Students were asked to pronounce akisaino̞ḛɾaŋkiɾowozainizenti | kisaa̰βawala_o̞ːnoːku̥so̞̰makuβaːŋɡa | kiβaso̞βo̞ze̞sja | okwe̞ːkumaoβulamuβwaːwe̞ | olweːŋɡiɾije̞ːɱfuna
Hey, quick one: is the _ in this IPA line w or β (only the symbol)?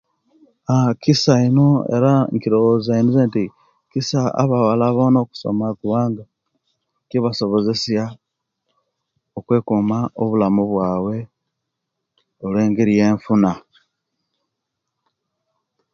β